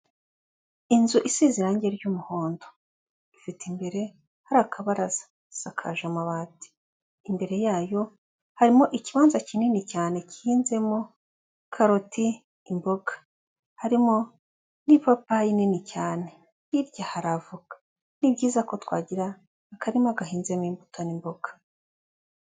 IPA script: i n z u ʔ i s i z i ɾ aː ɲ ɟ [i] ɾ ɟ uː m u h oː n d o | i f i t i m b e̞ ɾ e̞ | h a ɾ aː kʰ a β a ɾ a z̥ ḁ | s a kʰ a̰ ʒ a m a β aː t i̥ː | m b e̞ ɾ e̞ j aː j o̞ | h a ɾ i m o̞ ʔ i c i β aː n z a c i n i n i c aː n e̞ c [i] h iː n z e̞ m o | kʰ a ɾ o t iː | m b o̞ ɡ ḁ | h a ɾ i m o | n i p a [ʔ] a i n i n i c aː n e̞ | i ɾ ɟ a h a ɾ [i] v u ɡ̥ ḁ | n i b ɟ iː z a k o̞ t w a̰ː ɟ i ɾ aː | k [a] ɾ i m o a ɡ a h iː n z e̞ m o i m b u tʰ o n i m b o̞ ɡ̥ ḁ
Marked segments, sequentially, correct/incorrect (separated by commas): incorrect, correct, incorrect, incorrect, correct